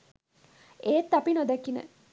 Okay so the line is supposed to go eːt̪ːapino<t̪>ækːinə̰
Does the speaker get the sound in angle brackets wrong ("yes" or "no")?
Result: yes